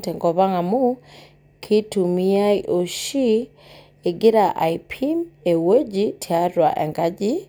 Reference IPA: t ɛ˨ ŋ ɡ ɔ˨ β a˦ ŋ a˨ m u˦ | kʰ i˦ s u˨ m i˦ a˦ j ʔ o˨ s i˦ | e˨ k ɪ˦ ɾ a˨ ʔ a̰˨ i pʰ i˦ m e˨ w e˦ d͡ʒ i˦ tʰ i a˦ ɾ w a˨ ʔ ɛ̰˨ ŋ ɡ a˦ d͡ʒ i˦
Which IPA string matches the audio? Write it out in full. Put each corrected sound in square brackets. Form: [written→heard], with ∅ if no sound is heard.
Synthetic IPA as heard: t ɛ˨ ŋ ɡ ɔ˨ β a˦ ŋ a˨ m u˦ | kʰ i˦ [s→t] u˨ m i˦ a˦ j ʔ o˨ [s→ʃ] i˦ | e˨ [k→ɡ] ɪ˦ ɾ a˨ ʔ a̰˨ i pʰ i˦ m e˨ w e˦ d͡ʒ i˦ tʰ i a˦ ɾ w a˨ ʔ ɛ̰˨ ŋ ɡ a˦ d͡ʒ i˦